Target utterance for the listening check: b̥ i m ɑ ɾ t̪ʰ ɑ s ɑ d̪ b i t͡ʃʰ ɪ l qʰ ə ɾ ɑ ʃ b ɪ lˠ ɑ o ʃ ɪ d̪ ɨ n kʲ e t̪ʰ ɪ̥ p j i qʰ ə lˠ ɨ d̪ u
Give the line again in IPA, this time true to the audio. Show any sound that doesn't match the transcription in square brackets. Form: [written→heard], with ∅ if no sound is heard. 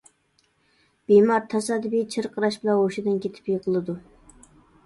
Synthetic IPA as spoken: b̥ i m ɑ ɾ t̪ʰ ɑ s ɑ d̪ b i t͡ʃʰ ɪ [l→ɾ] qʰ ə ɾ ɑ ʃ b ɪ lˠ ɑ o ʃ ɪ d̪ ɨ n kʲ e t̪ʰ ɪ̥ p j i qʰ ə lˠ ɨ d̪ u